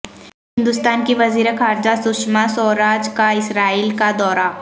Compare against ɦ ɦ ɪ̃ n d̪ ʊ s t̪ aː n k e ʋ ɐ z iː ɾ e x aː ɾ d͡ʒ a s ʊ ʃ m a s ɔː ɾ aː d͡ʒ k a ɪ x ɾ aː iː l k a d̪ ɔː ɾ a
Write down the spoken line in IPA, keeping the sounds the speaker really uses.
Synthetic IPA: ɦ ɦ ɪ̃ n d̪ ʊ s t̪ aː n k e ʋ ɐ z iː ɾ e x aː ɾ d͡ʒ a s ʊ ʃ m a s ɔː ɾ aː d͡ʒ k a ɪ s ɾ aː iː l k a d̪ ɔː ɾ a